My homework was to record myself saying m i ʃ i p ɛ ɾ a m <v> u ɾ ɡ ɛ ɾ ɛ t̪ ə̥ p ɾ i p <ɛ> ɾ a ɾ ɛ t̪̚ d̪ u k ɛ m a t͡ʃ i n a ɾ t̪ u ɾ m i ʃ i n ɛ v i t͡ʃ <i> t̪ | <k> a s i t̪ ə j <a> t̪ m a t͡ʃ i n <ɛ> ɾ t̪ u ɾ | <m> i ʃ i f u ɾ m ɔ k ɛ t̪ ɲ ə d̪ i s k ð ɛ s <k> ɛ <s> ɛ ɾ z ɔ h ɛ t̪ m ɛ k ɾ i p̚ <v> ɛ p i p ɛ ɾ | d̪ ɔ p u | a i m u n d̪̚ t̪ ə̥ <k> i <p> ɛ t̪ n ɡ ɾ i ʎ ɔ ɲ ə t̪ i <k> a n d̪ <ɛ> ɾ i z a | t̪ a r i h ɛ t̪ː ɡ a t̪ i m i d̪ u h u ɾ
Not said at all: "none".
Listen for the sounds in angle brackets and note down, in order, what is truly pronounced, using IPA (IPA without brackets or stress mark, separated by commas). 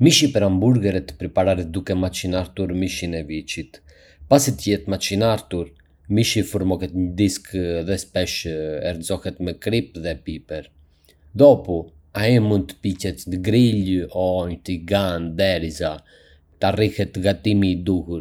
b, a, i, p, ɛ, a, m, p, ʃ, ð, p, c, ɡ, ɛ